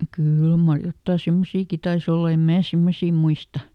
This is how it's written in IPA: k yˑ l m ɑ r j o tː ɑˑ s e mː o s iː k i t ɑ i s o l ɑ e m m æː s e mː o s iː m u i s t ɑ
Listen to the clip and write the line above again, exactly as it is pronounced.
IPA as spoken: k yˑ l m ɑ r j o tː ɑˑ s e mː o s iː k i t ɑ i s o lː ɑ e m m æː s e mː o s iː m u i s t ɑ